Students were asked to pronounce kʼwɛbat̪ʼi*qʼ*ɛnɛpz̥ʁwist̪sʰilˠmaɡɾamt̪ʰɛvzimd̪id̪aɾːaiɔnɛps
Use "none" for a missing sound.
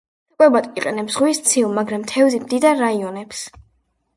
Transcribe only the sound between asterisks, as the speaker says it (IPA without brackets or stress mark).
qʼ